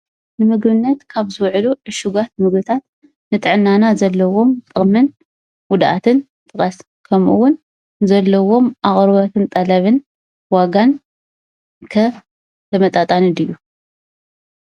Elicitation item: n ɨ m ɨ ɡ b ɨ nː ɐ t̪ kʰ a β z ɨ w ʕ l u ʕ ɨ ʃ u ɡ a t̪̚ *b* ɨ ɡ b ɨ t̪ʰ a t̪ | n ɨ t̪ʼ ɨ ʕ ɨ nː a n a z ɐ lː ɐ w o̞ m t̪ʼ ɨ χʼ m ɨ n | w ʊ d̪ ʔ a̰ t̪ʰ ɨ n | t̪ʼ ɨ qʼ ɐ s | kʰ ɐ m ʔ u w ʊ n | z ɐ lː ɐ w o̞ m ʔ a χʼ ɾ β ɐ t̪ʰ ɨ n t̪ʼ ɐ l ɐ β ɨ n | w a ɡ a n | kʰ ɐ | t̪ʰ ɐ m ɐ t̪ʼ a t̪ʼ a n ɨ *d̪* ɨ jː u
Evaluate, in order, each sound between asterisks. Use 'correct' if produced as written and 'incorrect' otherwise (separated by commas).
incorrect, correct